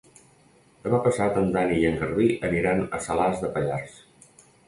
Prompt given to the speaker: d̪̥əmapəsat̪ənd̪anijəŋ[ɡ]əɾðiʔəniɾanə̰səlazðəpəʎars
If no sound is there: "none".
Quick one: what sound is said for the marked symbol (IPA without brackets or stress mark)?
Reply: ɡ